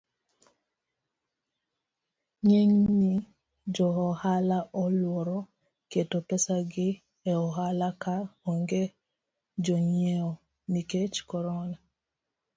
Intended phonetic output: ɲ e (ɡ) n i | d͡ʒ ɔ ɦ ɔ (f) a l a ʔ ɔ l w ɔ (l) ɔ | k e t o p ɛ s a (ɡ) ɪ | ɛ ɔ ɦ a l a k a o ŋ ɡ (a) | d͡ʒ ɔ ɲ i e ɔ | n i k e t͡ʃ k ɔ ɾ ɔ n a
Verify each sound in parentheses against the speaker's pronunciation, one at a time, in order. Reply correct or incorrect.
incorrect, incorrect, incorrect, correct, incorrect

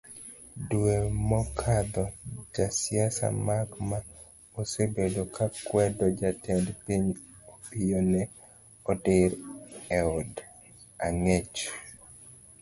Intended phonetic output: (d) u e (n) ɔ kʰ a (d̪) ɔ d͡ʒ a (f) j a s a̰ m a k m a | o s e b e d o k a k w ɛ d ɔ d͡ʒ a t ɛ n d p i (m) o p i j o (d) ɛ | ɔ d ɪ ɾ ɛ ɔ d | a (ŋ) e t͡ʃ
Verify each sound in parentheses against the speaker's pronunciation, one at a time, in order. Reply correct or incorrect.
correct, incorrect, correct, incorrect, incorrect, incorrect, correct

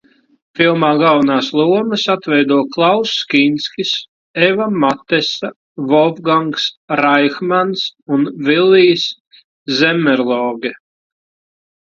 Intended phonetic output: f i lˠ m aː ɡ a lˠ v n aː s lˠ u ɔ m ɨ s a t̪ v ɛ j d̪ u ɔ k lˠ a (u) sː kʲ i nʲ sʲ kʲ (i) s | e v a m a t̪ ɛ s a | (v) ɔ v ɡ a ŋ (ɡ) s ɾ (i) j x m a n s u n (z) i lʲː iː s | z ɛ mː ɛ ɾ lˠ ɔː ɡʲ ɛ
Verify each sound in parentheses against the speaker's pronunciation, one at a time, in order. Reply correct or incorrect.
incorrect, correct, correct, incorrect, incorrect, incorrect

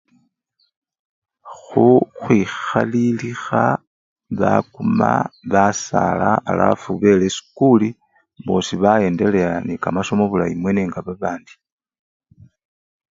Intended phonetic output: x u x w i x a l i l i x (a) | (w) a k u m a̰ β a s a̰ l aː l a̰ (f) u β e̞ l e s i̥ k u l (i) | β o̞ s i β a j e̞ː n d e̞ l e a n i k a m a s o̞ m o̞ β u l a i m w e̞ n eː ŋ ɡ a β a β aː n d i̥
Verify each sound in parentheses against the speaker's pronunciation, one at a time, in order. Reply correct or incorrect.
correct, incorrect, correct, correct

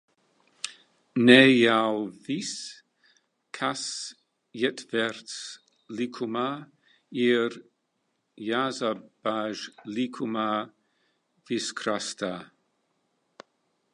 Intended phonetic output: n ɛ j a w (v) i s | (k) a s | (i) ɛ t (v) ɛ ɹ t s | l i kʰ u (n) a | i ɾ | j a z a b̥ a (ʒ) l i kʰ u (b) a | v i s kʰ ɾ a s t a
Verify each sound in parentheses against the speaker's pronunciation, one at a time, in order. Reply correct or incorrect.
correct, incorrect, incorrect, correct, incorrect, correct, incorrect

